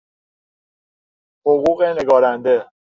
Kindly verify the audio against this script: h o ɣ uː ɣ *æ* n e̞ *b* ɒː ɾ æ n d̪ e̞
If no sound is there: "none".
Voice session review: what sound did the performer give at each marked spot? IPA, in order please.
e, ɡ

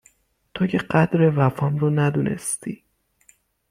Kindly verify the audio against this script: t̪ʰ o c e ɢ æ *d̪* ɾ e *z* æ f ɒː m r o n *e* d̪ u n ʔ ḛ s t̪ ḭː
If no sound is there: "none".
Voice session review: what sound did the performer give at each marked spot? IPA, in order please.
d̪, v, æ

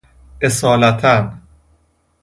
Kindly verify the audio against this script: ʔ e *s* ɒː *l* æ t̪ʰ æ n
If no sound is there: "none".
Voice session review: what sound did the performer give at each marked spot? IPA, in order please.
s, l

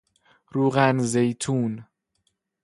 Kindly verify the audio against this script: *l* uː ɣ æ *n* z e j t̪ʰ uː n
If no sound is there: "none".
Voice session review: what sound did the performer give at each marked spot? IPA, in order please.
ɾ, n

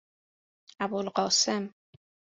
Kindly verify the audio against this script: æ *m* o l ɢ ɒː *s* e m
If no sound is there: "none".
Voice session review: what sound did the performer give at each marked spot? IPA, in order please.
b, s

